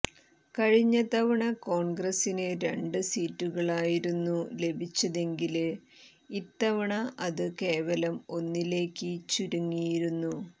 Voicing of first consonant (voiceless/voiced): voiceless